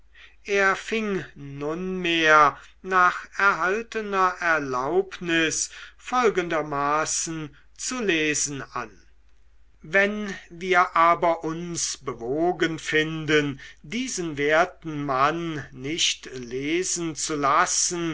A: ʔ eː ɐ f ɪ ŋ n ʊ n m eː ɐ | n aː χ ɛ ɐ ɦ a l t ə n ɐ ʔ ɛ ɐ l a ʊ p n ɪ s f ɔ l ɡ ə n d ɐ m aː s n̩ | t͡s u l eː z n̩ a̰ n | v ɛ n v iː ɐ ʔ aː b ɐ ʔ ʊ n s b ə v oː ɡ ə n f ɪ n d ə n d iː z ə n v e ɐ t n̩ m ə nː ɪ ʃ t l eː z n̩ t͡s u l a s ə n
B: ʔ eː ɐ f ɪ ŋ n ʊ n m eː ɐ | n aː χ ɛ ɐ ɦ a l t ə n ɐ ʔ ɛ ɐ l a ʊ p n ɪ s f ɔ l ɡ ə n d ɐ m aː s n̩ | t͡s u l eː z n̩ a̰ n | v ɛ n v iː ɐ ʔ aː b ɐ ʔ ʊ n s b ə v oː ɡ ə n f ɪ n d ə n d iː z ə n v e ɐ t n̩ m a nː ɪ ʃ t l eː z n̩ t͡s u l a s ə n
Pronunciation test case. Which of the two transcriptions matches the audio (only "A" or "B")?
B